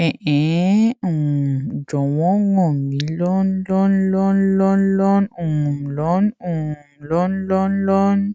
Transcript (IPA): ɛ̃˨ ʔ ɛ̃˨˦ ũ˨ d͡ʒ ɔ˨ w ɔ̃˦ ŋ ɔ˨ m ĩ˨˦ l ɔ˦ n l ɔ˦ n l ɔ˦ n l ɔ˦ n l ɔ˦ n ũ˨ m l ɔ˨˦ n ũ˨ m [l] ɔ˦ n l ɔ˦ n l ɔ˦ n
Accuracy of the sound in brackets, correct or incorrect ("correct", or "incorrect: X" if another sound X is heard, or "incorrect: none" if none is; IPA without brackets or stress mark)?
correct